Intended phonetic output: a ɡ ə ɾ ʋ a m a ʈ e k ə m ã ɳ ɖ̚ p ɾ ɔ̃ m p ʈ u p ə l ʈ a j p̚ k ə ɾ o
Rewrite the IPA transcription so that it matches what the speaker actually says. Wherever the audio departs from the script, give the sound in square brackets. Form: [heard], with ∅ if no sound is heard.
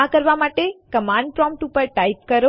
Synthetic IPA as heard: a [k] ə ɾ ʋ a m a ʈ e k ə m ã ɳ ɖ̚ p ɾ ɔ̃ m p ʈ u p ə [ɾ] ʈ a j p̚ k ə ɾ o